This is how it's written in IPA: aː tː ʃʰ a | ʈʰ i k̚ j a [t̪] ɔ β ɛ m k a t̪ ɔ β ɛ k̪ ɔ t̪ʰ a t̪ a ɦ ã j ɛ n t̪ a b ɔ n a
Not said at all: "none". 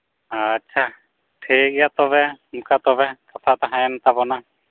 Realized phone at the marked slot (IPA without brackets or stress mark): t̪